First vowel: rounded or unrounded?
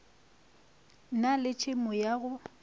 unrounded